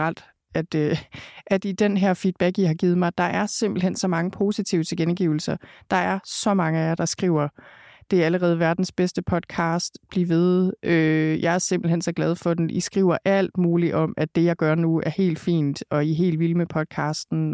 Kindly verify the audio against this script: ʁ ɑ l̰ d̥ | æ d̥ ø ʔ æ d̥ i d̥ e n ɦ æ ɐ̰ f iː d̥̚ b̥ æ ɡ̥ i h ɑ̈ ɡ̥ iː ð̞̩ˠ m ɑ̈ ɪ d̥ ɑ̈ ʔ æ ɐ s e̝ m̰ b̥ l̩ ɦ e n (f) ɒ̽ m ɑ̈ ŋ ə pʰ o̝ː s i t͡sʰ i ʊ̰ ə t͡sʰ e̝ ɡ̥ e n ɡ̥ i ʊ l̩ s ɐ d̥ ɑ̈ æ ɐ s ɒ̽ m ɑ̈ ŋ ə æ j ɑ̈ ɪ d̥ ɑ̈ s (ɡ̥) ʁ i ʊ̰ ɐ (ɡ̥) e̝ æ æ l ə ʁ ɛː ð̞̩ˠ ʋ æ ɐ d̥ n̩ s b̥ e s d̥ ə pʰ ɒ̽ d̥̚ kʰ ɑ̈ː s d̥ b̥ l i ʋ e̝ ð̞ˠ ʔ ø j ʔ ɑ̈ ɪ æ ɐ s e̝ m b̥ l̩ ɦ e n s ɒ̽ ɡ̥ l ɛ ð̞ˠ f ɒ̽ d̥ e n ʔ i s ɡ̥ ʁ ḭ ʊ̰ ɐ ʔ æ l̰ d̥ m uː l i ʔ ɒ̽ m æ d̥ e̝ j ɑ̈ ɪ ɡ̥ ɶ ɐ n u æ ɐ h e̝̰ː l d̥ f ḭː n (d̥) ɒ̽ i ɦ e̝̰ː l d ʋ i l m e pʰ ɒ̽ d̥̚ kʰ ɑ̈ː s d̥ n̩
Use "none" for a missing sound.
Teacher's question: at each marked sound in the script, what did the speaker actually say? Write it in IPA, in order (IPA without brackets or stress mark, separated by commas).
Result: s, ɡ̥, d̥, d̥